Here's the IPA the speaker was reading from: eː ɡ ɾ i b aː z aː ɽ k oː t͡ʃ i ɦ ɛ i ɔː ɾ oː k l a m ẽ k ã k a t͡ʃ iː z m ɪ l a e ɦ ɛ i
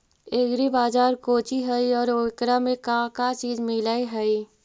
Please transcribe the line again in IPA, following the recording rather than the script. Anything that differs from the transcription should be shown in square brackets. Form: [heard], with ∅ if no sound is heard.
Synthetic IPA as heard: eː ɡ ɾ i b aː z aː [ɾ] k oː t͡ʃ i ɦ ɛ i ɔː ɾ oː k [ɾ] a m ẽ k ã k a t͡ʃ iː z m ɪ l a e ɦ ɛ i